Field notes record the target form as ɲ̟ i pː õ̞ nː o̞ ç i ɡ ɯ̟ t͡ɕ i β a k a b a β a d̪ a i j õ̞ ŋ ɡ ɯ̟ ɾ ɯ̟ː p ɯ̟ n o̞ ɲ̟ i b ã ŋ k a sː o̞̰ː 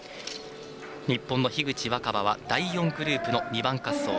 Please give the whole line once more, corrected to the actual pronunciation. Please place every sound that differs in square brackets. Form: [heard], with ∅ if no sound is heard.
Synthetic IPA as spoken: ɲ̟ i pː õ̞ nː o̞ ç i ɡ ɯ̟ t͡ɕ i β a k a b a β a d̪ a i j õ̞ ŋ ɡ ɯ̟ ɾ ɯ̟ː p ɯ̟ n o̞ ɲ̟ i b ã ŋ k a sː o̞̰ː